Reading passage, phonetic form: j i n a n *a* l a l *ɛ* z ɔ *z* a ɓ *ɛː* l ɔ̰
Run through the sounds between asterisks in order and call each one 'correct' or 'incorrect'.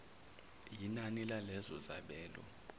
incorrect: i, correct, correct, correct

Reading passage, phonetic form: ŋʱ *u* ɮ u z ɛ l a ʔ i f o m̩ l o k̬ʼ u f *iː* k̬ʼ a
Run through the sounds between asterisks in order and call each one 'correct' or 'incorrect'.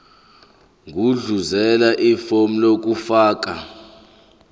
correct, incorrect: aː

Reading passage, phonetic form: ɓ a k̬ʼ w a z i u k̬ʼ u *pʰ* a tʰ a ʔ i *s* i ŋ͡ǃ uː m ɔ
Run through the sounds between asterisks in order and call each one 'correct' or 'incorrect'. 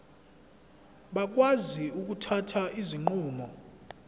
incorrect: tʰ, incorrect: z

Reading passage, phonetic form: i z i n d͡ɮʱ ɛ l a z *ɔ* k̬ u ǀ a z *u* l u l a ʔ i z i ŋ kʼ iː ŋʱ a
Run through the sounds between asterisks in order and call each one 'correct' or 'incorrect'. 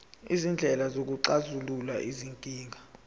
incorrect: o, correct

